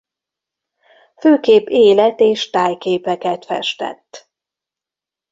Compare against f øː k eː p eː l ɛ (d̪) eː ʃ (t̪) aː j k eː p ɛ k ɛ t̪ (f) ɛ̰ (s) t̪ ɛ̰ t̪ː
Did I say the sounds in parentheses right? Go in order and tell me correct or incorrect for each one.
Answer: incorrect: t̪, correct, correct, incorrect: ʃ

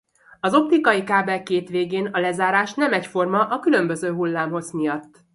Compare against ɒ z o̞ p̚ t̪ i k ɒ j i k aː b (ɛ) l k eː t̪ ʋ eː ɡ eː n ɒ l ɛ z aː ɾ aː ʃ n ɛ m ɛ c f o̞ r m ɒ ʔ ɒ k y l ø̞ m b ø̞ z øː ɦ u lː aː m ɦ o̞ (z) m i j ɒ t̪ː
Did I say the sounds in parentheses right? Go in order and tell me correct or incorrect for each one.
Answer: correct, correct

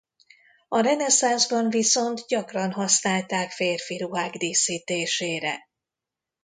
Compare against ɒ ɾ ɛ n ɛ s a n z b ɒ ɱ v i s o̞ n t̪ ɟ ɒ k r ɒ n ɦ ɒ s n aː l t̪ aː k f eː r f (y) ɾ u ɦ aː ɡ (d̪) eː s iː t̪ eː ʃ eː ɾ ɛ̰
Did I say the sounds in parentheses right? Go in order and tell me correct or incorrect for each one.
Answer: incorrect: i, correct

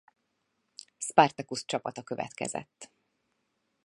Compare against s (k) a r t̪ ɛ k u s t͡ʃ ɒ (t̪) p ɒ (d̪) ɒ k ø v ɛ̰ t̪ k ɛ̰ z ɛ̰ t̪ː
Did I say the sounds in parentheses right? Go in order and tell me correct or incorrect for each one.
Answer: incorrect: p, incorrect: none, incorrect: t̪

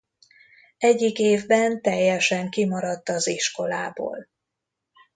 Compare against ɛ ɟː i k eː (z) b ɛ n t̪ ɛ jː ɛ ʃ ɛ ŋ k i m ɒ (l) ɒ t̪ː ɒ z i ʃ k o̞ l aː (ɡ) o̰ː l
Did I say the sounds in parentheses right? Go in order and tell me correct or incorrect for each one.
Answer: incorrect: v, incorrect: ɾ, incorrect: b

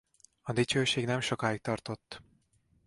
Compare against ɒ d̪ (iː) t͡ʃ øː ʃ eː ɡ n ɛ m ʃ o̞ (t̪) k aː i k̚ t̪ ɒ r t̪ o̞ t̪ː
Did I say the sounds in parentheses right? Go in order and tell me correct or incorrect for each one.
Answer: incorrect: i, incorrect: none

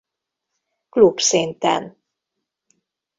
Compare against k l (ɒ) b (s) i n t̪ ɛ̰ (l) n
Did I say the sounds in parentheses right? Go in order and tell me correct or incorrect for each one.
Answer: incorrect: u, correct, incorrect: none

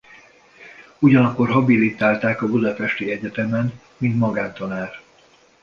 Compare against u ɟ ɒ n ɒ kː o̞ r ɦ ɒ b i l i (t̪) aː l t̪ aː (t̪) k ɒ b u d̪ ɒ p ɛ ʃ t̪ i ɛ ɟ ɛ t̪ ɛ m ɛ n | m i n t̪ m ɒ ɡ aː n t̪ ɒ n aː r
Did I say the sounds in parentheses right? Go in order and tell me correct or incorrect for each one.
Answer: correct, incorrect: none

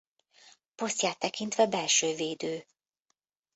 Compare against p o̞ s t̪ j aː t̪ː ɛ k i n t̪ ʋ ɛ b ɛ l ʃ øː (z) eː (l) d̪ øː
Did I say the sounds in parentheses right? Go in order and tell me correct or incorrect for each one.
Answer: incorrect: v, incorrect: none

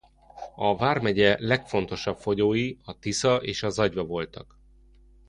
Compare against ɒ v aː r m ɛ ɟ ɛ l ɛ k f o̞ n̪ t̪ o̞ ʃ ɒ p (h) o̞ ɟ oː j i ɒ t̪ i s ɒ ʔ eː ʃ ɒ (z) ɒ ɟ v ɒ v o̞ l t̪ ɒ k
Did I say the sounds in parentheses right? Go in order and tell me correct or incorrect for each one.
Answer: incorrect: f, correct

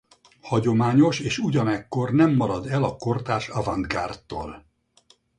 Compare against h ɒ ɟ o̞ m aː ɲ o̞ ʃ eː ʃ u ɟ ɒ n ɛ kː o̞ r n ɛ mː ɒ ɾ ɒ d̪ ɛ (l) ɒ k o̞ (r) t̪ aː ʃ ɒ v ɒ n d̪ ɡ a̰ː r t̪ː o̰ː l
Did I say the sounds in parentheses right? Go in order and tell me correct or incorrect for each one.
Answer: correct, correct

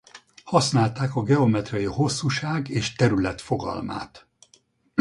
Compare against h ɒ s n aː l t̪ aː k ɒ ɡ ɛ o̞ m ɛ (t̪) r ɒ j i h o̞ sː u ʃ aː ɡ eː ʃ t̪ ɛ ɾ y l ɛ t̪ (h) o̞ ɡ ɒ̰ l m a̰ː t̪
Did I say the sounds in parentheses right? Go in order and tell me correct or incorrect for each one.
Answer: correct, incorrect: f

